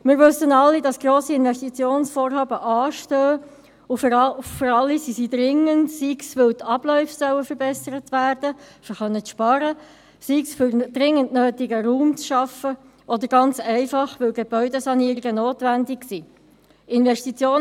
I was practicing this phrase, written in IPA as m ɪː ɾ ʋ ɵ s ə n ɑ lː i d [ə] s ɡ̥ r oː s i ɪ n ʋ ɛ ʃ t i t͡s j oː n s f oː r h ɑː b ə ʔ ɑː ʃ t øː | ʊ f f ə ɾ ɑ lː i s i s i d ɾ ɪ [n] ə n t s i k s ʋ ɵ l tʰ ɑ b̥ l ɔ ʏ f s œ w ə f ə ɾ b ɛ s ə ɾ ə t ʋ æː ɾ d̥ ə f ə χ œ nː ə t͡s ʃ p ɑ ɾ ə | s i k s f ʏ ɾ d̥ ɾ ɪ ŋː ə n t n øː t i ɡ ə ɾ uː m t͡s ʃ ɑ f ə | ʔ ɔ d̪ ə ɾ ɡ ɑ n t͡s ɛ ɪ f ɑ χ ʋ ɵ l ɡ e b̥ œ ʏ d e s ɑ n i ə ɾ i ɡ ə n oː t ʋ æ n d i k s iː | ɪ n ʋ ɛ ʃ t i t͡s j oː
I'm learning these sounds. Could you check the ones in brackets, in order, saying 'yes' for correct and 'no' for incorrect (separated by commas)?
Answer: no, no